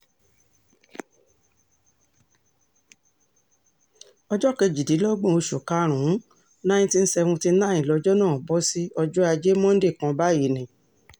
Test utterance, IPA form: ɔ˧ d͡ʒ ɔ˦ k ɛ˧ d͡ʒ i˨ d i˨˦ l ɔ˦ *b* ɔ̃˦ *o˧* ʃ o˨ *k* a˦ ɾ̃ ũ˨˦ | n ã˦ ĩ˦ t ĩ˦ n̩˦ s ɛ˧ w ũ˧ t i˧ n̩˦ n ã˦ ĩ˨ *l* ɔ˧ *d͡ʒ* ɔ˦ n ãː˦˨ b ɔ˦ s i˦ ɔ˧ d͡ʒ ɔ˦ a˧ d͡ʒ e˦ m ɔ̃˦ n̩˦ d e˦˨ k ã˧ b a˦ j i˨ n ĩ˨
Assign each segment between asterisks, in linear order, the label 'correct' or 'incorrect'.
incorrect, correct, correct, correct, correct

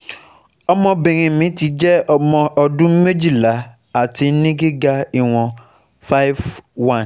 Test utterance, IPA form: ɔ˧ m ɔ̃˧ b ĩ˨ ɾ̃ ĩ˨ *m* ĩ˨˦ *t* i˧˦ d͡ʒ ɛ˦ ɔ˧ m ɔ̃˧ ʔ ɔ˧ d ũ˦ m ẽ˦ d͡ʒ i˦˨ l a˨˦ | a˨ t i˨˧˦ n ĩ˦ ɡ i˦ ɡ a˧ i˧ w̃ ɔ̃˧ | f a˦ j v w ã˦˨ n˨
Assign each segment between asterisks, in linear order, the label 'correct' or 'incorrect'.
correct, correct

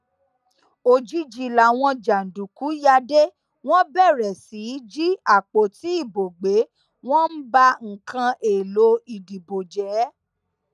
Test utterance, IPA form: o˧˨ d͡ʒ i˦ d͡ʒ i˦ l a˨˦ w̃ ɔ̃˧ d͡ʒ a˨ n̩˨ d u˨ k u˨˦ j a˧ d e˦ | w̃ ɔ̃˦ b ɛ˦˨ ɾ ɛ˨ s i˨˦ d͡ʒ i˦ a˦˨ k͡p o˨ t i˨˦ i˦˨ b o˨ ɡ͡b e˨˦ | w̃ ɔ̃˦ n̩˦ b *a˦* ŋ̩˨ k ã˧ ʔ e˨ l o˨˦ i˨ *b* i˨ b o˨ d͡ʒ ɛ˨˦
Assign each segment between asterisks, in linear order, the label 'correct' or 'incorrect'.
correct, incorrect

